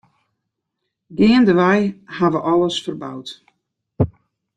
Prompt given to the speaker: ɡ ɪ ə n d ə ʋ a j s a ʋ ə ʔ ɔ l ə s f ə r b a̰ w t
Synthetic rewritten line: ɡ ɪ ə n d ə ʋ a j h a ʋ ə ʔ ɔ l ə s f ə r b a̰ w t